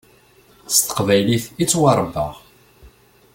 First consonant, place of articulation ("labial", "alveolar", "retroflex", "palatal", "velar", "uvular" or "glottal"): alveolar